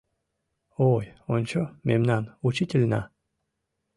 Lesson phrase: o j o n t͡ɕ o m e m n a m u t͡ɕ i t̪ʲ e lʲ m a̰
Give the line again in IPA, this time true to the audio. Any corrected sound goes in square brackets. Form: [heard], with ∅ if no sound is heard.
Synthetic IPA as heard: o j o n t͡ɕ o m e m n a [n] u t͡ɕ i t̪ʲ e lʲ [n] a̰